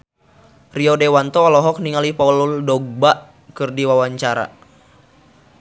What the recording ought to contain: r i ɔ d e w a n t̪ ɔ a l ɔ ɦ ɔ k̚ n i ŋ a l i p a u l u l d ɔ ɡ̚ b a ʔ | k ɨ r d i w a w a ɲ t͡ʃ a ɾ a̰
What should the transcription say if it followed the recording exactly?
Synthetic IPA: r i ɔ d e w a n t̪ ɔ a l ɔ ɦ ɔ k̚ n i ŋ a l i p a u l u l d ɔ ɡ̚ b a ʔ | k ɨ r d i w a w a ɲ t͡ʃ a ɾ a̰